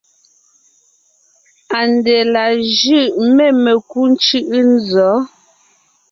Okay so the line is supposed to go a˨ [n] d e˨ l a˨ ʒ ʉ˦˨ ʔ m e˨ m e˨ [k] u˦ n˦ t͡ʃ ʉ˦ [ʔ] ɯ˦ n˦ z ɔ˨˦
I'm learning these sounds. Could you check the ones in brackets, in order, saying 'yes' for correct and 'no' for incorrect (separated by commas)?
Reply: yes, yes, yes